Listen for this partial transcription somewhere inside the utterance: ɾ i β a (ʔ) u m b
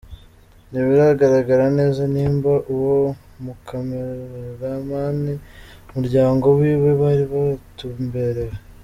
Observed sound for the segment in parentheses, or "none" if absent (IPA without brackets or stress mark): t